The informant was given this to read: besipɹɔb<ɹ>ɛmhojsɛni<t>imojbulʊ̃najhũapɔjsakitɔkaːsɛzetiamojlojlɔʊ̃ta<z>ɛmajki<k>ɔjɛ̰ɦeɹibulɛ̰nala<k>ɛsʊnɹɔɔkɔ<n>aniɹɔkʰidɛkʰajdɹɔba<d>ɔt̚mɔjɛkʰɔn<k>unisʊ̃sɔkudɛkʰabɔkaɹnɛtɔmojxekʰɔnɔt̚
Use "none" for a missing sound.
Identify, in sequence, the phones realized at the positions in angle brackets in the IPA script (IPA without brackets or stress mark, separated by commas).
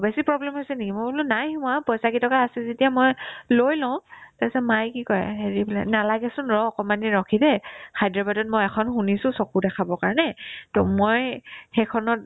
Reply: l, k, s, k, ɡ, m, d, x